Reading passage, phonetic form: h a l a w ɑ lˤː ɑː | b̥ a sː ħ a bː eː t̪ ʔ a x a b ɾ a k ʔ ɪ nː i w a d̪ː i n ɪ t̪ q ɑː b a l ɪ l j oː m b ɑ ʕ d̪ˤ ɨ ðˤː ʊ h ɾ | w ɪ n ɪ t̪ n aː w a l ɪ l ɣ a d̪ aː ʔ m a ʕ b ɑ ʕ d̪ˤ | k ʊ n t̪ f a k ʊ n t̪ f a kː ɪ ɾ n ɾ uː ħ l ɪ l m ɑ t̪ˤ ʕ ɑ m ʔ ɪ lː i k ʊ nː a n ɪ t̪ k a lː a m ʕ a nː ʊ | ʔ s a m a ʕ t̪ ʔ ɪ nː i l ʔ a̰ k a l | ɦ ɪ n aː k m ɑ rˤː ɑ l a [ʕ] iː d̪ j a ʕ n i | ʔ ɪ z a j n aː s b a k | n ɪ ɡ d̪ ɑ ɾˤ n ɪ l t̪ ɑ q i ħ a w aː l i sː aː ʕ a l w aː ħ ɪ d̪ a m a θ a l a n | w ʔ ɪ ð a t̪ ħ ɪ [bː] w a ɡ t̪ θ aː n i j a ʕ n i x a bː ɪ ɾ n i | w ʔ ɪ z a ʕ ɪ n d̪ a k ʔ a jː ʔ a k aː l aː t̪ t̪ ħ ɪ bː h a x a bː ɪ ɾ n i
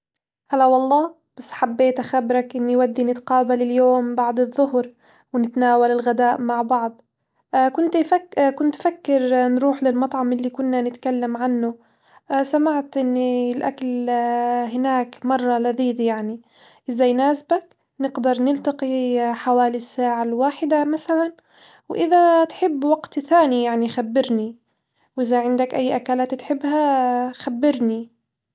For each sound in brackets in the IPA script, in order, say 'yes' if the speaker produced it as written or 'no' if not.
no, yes

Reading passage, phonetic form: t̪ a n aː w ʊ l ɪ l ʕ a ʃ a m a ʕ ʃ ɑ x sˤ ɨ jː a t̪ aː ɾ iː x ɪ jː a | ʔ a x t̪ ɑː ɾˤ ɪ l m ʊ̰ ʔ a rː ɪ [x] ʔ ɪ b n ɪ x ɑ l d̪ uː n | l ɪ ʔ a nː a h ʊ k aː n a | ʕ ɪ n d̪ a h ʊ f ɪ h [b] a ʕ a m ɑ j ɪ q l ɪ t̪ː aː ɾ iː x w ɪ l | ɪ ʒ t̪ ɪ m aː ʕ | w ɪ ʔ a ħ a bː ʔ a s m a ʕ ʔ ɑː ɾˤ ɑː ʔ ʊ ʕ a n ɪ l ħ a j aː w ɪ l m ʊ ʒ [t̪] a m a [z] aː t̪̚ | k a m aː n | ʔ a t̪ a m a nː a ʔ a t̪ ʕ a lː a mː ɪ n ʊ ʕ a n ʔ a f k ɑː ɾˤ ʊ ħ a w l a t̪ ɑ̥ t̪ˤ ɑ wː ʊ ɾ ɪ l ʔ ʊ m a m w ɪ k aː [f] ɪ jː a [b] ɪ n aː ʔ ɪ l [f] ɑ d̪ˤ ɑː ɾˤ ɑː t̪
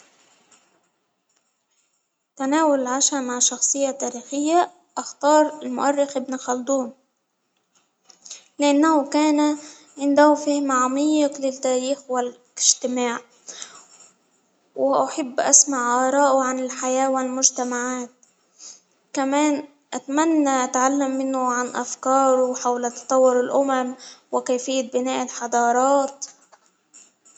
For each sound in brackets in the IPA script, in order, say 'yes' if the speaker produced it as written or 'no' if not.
yes, no, yes, no, yes, yes, no

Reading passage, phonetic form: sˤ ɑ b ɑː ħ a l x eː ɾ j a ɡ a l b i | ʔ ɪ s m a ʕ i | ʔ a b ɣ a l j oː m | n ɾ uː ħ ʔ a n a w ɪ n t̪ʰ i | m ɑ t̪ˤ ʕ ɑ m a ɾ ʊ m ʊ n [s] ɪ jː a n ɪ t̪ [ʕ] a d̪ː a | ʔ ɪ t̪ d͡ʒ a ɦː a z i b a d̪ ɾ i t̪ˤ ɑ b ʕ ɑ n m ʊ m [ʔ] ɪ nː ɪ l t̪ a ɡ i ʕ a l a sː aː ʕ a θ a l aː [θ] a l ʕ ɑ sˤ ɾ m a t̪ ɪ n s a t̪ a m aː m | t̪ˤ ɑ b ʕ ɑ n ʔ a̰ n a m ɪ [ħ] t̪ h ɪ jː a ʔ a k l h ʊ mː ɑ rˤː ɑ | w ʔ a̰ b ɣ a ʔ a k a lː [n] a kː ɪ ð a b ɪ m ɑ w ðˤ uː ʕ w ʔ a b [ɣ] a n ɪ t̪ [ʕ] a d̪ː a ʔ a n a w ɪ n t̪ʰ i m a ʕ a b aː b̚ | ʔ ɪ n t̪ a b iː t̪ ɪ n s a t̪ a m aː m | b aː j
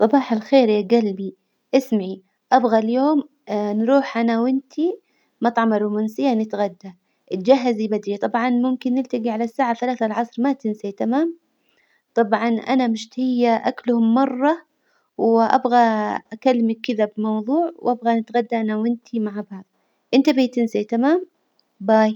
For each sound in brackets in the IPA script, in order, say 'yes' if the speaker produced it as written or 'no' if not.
yes, no, no, yes, no, no, yes, no

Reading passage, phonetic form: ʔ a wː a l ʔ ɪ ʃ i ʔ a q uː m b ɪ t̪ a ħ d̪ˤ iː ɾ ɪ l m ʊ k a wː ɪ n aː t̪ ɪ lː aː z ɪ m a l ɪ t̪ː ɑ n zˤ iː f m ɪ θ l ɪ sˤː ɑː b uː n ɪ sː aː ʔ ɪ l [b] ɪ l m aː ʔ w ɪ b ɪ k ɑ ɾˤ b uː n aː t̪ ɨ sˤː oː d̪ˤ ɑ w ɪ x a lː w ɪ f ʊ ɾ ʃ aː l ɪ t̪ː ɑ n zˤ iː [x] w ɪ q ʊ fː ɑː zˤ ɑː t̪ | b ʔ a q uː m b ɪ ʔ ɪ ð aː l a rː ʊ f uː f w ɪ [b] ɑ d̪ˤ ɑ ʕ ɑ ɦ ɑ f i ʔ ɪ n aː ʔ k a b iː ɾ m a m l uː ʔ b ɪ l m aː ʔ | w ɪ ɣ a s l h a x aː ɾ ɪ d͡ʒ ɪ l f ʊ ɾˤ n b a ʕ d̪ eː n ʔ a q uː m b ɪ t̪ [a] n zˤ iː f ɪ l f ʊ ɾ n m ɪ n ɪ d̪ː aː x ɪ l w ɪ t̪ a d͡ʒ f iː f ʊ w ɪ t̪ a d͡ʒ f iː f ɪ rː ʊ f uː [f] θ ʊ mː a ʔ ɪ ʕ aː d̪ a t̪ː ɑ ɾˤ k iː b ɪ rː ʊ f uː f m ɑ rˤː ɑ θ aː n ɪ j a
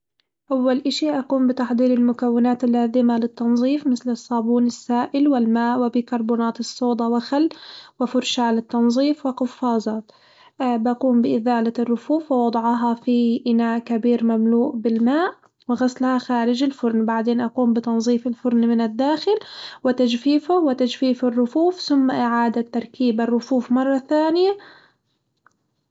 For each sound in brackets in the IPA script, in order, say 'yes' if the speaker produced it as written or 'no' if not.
no, no, no, no, yes

